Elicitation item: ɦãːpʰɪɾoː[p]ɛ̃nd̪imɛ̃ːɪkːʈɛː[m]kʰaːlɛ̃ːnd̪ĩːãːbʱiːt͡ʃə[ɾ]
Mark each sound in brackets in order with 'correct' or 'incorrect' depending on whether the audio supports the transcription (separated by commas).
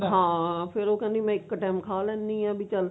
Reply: incorrect, correct, incorrect